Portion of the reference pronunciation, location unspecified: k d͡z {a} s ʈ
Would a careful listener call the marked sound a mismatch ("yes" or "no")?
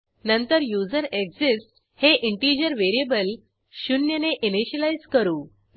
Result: yes